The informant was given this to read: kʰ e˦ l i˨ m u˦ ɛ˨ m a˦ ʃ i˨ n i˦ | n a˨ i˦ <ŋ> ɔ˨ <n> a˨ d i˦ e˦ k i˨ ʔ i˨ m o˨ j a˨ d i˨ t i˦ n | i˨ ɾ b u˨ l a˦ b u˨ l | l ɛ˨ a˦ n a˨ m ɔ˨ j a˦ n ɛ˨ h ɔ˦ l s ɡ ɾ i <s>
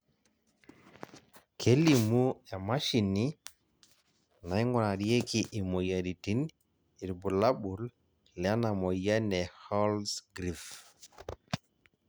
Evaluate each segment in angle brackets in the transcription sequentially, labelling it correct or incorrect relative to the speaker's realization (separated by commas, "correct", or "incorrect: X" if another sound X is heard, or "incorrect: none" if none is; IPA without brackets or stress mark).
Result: correct, correct, incorrect: f